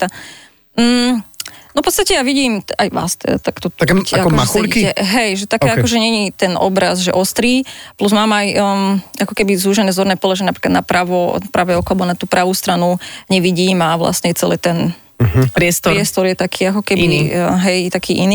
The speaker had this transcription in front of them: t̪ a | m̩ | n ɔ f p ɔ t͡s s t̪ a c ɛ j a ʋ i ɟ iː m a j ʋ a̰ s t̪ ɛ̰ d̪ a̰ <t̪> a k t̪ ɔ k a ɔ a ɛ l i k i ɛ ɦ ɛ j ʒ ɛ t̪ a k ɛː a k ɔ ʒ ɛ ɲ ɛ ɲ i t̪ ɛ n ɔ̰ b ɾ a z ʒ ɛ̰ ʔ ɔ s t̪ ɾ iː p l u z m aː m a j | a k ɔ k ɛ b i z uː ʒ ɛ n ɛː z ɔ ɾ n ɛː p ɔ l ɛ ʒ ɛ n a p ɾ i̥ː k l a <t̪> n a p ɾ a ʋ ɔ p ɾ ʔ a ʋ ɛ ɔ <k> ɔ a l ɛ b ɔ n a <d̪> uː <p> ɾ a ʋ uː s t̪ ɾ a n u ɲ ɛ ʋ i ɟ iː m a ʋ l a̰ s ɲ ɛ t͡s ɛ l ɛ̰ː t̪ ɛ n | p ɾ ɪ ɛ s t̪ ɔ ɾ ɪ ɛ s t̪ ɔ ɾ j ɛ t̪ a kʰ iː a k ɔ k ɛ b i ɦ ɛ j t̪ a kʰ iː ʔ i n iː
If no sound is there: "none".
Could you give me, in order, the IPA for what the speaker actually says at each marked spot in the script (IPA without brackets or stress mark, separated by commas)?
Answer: t̪, d̪, k, t̪, p